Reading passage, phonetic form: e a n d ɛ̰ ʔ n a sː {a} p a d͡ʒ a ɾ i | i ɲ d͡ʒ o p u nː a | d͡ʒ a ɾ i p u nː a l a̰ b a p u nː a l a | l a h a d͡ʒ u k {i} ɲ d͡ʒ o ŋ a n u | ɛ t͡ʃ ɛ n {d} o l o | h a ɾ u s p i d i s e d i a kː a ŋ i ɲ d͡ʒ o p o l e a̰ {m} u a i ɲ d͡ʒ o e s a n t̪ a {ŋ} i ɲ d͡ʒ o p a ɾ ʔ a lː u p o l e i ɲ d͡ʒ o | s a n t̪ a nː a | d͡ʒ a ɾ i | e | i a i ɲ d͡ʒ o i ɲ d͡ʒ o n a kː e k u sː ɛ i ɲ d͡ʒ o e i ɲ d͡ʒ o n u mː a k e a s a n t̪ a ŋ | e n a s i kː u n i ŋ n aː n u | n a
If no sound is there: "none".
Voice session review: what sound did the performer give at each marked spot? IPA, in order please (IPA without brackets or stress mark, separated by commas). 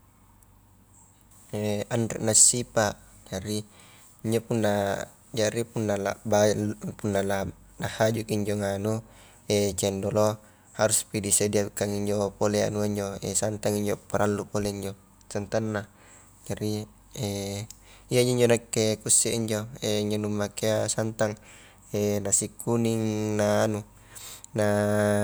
i, i, d, n, ŋ